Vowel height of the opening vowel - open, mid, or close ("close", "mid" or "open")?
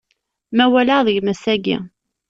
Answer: open